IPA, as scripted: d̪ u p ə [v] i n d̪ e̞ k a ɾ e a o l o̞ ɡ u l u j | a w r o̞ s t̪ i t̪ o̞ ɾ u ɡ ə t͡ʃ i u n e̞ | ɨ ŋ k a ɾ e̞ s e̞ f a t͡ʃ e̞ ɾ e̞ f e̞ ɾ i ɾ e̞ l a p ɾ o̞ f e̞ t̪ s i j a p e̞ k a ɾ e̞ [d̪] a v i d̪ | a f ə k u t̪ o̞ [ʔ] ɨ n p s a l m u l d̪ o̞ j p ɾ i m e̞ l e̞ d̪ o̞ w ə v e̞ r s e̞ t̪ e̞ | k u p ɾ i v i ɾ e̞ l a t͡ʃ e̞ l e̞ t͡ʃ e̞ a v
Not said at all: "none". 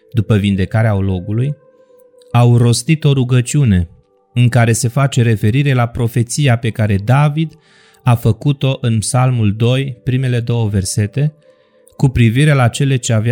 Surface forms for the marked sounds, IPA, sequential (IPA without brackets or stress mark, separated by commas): v, d̪, ʔ